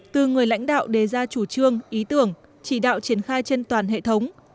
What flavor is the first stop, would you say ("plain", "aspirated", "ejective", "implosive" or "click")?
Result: plain